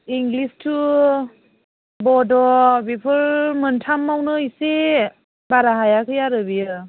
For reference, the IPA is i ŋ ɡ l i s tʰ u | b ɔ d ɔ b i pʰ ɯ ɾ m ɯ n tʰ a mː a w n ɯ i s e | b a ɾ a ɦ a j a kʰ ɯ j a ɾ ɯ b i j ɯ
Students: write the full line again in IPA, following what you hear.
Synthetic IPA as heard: i ŋ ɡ l i s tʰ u | b ɔ d ɔ b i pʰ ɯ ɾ m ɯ n tʰ a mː a w n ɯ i s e | b a ɾ a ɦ a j a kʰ ɯ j a ɾ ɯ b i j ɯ